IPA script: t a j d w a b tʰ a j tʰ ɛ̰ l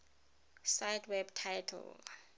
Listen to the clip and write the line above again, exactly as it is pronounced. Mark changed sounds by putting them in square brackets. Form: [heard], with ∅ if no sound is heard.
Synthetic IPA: [s] a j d w [ɛ] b tʰ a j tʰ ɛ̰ l